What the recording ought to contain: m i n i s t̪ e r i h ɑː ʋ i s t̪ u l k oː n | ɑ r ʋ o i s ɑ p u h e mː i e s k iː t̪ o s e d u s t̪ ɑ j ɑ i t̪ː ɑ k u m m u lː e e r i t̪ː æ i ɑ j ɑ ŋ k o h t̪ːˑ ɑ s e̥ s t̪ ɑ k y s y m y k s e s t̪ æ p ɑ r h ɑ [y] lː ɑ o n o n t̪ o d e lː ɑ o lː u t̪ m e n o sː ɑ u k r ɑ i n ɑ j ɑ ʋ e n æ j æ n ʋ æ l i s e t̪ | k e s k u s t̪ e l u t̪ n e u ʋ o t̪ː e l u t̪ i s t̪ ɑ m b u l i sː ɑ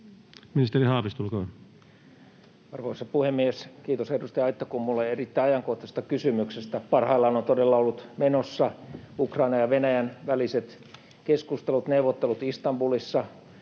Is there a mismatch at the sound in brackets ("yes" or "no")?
yes